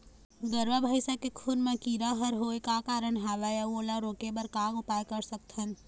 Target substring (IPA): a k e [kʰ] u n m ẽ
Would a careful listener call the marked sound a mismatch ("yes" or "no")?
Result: no